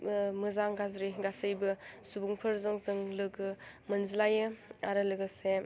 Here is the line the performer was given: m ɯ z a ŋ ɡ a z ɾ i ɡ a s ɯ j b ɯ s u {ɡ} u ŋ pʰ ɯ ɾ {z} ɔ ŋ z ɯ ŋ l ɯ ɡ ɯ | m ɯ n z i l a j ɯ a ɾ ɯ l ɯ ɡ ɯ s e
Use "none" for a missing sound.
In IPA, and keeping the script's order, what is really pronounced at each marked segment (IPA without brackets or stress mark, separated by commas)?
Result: b, z